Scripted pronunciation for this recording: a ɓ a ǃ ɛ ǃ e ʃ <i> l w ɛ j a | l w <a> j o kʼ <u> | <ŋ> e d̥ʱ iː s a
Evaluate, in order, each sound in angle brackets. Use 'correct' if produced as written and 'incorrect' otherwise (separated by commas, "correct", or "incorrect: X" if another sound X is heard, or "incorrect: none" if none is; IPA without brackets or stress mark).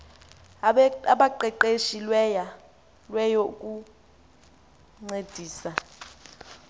correct, incorrect: ɛ, correct, incorrect: ŋ͡ǀ